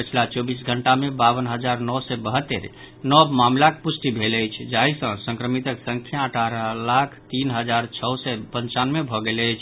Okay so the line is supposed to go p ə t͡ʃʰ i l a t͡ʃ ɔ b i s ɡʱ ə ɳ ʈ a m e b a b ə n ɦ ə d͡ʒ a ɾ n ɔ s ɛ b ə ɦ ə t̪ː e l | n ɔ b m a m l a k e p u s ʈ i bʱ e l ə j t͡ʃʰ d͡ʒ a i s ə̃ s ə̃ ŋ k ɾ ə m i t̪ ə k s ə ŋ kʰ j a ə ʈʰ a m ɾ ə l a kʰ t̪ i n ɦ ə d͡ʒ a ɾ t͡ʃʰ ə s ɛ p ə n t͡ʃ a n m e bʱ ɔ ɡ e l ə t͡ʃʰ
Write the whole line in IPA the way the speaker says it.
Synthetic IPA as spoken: p ə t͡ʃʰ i l a t͡ʃ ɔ b i s ɡʱ ə ɳ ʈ a m e b a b ə n ɦ ə d͡ʒ a ɾ n ɔ s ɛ b ə ɦ ə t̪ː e ɾ | n ɔ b m a m l a k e p u s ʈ i bʱ e l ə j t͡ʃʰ d͡ʒ a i s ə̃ s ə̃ ŋ k ɾ ə m i t̪ ə k s ə ŋ kʰ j a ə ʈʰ a ɾ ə l a kʰ t̪ i n ɦ ə d͡ʒ a ɾ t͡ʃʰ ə s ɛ p ə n t͡ʃ a n m e bʱ ɔ ɡ e l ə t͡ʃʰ